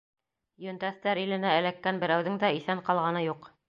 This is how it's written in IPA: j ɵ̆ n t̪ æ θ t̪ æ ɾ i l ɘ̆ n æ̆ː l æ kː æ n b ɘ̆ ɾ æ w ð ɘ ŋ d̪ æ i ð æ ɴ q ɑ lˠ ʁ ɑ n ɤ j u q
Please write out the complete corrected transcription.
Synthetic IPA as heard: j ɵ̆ n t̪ æ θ t̪ æ ɾ i l ɘ̆ n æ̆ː l æ kː æ n b ɘ̆ ɾ æ w ð ɘ ŋ d̪ æ i θ æ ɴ q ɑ lˠ ʁ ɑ n ɤ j u q